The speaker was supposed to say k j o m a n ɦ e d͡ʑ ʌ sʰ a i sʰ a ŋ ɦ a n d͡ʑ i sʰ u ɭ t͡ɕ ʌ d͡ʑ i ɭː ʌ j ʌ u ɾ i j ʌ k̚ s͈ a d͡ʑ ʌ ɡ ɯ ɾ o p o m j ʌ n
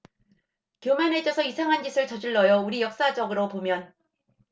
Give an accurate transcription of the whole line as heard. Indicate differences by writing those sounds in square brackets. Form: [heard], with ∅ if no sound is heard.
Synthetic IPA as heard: k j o m a n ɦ e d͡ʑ ʌ sʰ [ʌ] i sʰ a ŋ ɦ a n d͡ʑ i sʰ [ɯ] ɭ t͡ɕ ʌ d͡ʑ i ɭː ʌ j ʌ u ɾ i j ʌ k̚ s͈ a d͡ʑ ʌ ɡ ɯ ɾ o p o m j ʌ n